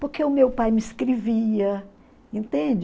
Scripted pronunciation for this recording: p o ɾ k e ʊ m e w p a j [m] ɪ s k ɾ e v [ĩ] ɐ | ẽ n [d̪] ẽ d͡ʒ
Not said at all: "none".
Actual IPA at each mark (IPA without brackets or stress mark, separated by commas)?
m, i, t̪